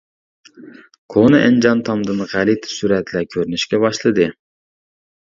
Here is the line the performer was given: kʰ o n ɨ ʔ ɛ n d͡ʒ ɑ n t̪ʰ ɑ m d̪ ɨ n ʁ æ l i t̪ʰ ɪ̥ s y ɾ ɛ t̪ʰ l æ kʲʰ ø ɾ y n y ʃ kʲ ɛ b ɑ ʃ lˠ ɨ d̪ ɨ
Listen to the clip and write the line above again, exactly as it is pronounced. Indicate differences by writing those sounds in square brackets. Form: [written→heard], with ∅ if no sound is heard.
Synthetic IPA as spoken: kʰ o n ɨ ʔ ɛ n d͡ʒ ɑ n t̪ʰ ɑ m d̪ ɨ n ʁ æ l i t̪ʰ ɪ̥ s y ɾ ɛ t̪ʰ l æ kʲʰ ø ɾ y n y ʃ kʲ ɛ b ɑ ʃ lˠ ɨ d̪ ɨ